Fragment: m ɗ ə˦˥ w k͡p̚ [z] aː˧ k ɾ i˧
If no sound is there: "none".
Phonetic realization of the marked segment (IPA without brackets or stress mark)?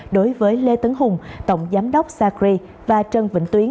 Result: s